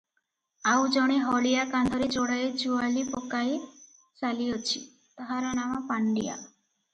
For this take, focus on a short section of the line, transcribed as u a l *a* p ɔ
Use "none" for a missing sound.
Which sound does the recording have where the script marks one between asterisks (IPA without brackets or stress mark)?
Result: i